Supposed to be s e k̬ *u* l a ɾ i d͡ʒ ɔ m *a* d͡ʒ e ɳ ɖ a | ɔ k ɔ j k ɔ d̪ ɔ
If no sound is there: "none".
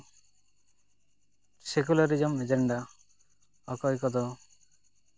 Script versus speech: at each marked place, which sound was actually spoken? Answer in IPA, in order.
u, e

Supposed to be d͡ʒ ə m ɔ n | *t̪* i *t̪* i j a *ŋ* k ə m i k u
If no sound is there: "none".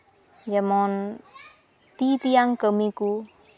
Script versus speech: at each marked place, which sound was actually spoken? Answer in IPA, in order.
t̪, t̪, ŋ

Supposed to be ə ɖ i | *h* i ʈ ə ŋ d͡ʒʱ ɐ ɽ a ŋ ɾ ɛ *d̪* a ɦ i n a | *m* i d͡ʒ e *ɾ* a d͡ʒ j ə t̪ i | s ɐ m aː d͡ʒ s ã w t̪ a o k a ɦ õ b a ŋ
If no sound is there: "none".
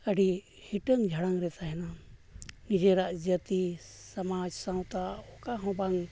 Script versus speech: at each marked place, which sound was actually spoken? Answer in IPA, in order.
h, t̪, n, ɾ

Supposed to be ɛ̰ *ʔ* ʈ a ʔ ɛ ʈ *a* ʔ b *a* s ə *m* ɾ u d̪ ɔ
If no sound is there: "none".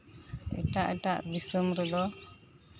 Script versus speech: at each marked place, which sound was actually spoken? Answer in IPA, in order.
none, a, i, m

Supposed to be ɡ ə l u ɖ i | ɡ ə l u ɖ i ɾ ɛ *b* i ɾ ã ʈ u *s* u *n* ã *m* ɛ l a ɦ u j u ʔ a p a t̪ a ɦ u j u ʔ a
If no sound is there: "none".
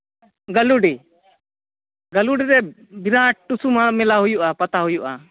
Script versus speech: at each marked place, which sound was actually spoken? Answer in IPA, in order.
b, s, m, m

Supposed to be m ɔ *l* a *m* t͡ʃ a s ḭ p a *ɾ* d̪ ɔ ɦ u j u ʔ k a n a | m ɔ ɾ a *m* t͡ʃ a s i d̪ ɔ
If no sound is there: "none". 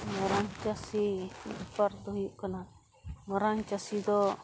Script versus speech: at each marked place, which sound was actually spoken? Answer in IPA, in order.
ɾ, ŋ, ɾ, ŋ

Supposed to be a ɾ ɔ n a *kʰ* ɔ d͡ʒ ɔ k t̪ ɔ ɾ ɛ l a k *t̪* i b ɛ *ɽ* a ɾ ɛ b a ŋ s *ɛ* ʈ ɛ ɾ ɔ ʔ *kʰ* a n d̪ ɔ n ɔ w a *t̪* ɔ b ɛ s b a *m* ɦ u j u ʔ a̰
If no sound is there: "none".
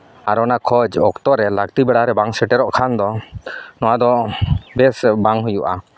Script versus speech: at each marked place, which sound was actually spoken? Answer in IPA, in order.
kʰ, t̪, ɽ, ɛ, kʰ, d̪, ŋ

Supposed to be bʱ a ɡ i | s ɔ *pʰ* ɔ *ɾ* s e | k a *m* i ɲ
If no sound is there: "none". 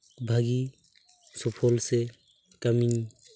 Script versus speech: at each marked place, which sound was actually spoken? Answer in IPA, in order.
pʰ, l, m

